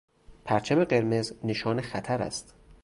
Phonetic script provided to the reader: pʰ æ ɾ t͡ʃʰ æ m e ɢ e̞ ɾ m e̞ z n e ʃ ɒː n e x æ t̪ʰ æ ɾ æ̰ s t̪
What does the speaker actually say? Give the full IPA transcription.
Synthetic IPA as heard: pʰ æ ɾ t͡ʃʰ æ m e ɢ e̞ ɾ m e̞ z n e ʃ ɒː n e x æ t̪ʰ æ ɾ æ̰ s t̪